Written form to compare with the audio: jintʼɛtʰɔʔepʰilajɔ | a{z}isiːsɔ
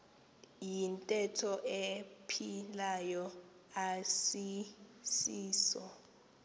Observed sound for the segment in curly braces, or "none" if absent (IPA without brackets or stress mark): s